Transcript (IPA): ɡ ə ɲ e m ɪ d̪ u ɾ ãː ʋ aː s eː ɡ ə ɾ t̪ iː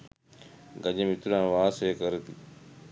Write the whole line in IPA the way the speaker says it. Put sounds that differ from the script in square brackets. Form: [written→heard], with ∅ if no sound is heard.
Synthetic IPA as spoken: ɡ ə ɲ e m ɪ [d̪→t̪] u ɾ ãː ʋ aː s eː [ɡ→k] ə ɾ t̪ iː